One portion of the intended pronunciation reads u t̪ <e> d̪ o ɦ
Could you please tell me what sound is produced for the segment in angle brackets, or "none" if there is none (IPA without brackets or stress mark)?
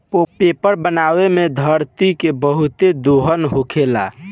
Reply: e